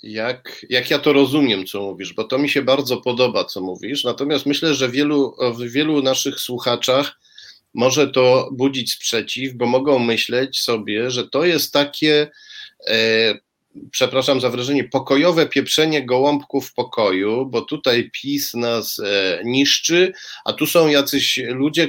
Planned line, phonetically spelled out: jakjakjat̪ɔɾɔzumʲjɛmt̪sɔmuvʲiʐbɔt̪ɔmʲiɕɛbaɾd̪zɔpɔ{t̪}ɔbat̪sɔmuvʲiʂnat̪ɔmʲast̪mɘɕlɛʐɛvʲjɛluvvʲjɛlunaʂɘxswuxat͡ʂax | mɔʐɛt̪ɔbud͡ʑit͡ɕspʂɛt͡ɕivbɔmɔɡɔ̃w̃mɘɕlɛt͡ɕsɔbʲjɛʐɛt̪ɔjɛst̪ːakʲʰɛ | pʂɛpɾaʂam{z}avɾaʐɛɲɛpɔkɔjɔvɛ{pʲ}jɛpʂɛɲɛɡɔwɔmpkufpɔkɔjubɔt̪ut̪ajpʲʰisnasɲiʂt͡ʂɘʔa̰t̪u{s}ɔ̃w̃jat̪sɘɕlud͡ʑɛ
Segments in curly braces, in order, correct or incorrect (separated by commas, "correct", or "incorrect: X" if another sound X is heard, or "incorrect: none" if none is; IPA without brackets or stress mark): incorrect: d̪, correct, correct, correct